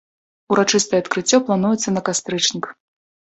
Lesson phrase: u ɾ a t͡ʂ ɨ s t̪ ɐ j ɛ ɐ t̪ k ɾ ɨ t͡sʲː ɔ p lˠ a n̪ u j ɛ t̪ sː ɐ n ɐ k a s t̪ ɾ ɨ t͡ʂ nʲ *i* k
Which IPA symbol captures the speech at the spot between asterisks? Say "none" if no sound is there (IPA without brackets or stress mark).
i